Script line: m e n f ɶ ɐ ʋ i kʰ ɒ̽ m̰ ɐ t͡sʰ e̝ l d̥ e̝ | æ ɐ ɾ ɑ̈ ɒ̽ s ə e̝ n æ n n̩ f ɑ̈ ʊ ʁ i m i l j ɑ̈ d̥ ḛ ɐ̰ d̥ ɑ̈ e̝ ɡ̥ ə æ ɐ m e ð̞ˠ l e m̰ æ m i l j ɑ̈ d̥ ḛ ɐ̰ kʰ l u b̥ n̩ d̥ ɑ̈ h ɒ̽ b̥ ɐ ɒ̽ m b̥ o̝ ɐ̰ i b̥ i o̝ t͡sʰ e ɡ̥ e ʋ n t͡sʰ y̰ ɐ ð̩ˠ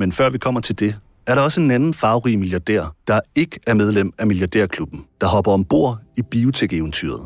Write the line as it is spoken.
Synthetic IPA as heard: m e n f ɶ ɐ ʋ i kʰ ɒ̽ m̰ ɐ t͡sʰ e̝ l d̥ e̝ | æ ɐ ɾ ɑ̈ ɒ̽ s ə e̝ n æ n n̩ f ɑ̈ ʊ ʁ i m i l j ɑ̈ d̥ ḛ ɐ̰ d̥ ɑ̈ e̝ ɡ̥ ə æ ɐ m e ð̞ˠ l e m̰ æ m i l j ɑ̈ d̥ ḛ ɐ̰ kʰ l u b̥ n̩ d̥ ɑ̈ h ɒ̽ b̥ ɐ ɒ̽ m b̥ o̝ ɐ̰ i b̥ i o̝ t͡sʰ e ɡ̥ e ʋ n t͡sʰ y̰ ɐ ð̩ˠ